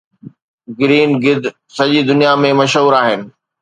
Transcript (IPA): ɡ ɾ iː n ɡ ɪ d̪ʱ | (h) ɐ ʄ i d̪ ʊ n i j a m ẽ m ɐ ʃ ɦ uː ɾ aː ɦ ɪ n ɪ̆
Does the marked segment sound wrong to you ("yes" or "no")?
yes